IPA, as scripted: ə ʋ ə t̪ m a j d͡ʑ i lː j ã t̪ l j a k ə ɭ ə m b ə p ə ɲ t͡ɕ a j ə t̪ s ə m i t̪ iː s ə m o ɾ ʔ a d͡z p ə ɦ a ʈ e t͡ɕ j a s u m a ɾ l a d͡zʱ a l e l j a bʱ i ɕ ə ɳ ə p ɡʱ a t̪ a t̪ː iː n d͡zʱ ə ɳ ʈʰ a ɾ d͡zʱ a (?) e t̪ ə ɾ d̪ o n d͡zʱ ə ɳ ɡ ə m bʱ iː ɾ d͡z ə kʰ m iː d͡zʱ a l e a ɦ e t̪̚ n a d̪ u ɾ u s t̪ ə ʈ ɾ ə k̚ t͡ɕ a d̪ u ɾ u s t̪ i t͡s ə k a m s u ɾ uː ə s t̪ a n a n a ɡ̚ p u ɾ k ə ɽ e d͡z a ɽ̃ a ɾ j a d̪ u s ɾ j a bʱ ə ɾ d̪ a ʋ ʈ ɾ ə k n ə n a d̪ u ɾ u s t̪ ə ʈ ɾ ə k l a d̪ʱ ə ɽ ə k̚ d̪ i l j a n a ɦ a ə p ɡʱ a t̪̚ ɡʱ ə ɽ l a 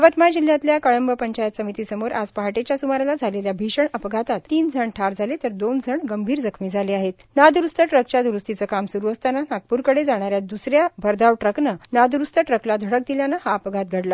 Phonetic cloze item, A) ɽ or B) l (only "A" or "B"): B